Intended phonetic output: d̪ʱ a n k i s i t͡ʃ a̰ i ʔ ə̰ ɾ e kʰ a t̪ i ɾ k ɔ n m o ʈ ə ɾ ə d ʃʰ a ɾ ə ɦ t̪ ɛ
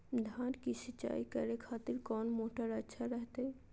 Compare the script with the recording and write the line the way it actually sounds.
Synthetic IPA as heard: d̪ʱ a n k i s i t͡ʃ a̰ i k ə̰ ɾ e kʰ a t̪ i ɾ k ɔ n m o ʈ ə ɾ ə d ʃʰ a ɾ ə ɦ t̪ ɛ